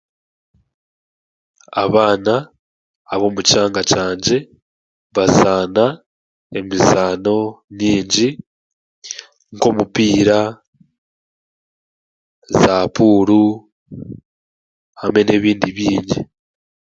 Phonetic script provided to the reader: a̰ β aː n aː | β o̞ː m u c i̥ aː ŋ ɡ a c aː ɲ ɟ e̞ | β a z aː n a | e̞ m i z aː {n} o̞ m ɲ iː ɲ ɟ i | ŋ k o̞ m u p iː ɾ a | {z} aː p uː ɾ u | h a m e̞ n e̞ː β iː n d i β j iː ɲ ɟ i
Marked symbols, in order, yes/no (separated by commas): yes, yes